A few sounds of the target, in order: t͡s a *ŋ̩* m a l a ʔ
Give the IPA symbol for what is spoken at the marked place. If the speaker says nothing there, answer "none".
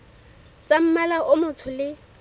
m̩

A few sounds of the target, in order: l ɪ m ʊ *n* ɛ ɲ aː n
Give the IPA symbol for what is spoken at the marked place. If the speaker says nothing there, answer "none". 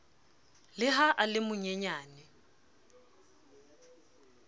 ɲ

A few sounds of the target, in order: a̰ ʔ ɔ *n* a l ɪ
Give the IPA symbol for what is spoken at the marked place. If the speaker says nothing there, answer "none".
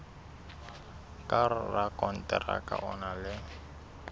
n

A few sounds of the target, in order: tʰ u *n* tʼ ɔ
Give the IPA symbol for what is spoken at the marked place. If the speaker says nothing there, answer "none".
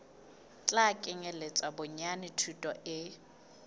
none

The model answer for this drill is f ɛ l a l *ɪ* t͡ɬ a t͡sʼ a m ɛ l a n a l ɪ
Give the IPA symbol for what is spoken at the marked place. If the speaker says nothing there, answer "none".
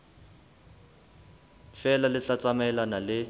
ɪ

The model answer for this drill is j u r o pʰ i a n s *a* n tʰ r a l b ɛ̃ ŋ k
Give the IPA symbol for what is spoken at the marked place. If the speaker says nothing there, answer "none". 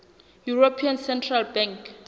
ɛ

